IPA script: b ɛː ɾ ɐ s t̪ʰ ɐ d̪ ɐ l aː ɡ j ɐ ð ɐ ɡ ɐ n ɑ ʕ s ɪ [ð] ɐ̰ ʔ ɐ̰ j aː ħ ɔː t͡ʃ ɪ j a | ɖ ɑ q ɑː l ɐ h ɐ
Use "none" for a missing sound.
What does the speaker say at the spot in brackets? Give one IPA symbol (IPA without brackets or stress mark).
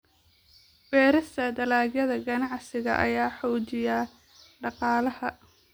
ɣ